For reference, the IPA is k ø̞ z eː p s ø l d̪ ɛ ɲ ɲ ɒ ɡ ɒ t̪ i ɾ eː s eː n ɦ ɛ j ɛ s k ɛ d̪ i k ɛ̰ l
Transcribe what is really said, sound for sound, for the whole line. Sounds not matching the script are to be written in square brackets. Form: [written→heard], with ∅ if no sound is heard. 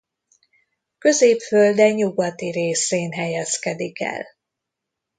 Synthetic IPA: k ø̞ z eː p [s→f] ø l d̪ ɛ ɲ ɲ [ɒ→u] ɡ ɒ t̪ i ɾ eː s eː n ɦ ɛ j ɛ s k ɛ d̪ i k ɛ̰ l